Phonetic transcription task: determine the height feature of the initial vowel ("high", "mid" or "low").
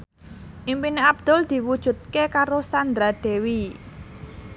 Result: high